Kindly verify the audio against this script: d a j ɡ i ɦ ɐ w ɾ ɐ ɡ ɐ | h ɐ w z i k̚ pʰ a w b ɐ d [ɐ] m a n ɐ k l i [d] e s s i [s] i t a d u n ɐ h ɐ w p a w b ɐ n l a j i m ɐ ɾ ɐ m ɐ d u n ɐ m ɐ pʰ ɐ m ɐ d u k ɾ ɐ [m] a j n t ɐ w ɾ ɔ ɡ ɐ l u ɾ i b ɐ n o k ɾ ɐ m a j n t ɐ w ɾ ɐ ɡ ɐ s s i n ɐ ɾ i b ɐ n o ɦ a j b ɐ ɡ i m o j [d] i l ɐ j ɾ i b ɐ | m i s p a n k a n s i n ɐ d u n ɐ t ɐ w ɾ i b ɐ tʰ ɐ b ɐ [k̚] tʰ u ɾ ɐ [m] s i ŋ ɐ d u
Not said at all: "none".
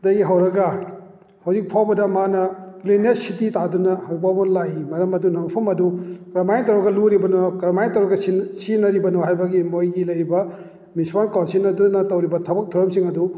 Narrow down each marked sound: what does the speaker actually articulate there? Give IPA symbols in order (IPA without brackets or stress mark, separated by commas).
ɐ, n, t, m, ɡ, k̚, m